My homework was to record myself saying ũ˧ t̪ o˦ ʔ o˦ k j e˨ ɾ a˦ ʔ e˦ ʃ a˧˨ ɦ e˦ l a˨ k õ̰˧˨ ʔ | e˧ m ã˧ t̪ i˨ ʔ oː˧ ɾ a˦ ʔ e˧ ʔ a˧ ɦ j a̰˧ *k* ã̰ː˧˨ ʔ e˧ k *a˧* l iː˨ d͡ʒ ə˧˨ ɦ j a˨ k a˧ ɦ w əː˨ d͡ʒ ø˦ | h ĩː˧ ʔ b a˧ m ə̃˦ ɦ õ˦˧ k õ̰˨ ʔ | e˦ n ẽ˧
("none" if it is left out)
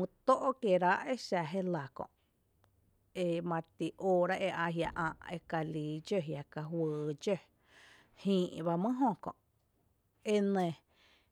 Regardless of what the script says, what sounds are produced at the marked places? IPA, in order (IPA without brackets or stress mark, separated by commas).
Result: ʔ, a˧